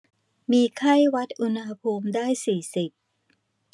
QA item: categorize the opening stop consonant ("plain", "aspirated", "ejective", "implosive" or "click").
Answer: aspirated